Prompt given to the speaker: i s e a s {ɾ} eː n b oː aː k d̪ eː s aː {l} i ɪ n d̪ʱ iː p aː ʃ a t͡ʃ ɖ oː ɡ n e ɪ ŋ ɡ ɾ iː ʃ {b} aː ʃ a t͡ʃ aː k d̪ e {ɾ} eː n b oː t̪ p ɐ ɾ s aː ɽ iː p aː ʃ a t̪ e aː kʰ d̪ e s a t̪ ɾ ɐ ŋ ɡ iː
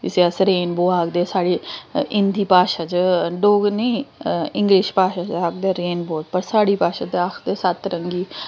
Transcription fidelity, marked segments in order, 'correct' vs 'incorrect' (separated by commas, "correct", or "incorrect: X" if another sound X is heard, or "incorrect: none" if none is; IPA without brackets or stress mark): correct, incorrect: ɽ, incorrect: p, correct